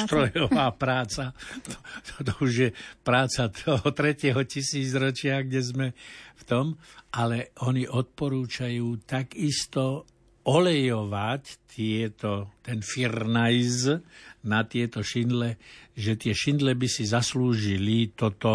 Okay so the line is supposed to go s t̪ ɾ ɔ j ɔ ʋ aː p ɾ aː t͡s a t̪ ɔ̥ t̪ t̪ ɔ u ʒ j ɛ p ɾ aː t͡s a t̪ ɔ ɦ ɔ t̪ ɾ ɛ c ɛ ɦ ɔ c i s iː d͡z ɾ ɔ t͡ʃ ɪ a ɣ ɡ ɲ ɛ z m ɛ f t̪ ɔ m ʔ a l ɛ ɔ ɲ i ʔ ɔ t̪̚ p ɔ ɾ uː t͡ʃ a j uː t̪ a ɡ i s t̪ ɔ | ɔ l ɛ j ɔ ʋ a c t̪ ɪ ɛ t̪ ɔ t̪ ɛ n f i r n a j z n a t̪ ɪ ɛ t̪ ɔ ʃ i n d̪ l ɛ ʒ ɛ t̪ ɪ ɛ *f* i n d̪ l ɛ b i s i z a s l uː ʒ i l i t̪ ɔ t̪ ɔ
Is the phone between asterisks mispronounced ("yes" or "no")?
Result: yes